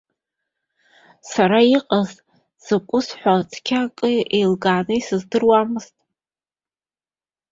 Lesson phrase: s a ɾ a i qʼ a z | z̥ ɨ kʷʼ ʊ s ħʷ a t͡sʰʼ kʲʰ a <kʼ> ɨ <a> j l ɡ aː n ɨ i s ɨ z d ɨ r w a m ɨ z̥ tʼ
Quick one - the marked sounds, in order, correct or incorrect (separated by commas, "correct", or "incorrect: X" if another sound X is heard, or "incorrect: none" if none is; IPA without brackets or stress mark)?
correct, incorrect: e